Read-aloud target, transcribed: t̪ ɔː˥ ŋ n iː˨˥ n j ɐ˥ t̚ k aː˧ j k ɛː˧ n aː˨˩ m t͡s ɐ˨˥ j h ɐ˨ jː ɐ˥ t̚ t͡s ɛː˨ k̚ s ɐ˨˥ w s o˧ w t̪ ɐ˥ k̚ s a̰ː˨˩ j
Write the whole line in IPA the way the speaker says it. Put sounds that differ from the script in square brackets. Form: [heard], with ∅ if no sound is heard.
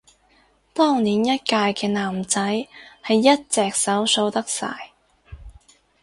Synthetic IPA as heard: t̪ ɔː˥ ŋ n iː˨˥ n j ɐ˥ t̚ k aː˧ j k ɛː˧ n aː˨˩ m t͡s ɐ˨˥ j h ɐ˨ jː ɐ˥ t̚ t͡s ɛː˨ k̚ s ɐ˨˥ w s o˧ w t̪ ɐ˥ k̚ s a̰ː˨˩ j